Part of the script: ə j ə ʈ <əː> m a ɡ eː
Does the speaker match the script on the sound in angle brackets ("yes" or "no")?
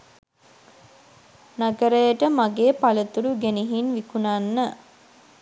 no